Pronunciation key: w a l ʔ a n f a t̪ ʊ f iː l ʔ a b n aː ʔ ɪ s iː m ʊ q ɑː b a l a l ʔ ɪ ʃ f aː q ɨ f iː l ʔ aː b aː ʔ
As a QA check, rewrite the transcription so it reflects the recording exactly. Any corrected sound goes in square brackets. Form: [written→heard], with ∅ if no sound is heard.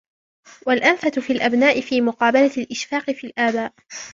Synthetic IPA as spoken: w a l ʔ a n f a t̪ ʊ f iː l ʔ a b n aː ʔ ɪ [s→f] iː m ʊ q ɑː b a l a l ʔ ɪ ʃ f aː q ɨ f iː l ʔ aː b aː ʔ